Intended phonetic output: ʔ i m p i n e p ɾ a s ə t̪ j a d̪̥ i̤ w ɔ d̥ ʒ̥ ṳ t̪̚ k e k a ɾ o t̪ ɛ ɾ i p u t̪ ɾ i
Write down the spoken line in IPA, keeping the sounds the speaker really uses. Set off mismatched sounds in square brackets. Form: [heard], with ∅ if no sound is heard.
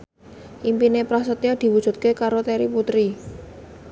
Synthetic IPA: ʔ i m p i n e p ɾ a s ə t̪ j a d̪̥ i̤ w [u] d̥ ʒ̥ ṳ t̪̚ k e k a ɾ o t̪ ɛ ɾ i p u t̪ ɾ i

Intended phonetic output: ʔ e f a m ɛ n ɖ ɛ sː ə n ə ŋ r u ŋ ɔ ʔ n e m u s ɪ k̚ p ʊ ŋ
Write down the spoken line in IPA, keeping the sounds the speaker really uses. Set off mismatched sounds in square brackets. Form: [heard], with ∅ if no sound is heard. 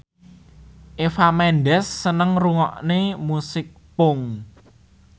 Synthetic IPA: ʔ e f a m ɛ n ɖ ɛ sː ə n ə ŋ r u ŋ ɔ ʔ n e m u s ɪ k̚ p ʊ ŋ

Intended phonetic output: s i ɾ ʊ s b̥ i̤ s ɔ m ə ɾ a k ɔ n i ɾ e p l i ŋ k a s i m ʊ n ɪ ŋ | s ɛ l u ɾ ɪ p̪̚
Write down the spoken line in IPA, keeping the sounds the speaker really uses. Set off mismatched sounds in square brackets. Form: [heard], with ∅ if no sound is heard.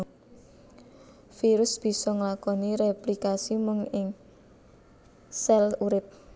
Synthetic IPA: [f] i ɾ ʊ s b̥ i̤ s ɔ [ŋ] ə [l] a k ɔ n i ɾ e p l i [∅] k a s i m ʊ [ŋ] ɪ ŋ | s ɛ l u ɾ ɪ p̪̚

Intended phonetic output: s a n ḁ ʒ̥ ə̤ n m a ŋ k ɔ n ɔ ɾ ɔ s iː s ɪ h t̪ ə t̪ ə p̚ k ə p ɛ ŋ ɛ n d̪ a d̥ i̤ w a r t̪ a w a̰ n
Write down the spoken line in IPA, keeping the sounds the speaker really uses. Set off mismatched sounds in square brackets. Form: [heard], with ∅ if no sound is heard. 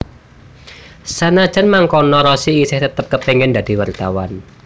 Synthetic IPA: s a n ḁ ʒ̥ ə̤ n m a ŋ k ɔ n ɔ ɾ ɔ s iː s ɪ h t̪ ə t̪ ə p̚ k ə p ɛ ŋ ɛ n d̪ a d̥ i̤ w a r t̪ a w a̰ n

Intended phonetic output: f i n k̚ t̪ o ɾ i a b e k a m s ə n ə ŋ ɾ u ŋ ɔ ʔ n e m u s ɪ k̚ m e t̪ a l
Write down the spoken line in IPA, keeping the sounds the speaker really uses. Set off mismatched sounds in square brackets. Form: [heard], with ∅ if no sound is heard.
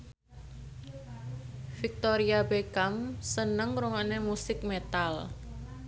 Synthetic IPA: f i [∅] k̚ t̪ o ɾ i a b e k a m s ə n ə ŋ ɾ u ŋ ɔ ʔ n e m u s ɪ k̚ m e t̪ a l

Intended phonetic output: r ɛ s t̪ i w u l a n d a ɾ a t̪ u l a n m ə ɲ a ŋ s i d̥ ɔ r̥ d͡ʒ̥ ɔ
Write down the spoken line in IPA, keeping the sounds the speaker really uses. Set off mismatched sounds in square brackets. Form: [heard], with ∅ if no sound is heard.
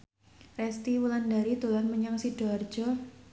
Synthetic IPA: r ɛ s t̪ i w u l a n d a ɾ [i] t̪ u l a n m ə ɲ a ŋ s i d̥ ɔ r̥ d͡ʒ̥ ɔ

